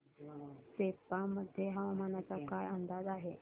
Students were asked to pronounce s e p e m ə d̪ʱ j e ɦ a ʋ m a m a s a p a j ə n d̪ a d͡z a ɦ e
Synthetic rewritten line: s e p a m ə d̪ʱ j e ɦ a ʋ m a n a t͡s a k a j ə n d̪ a d͡z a ɦ e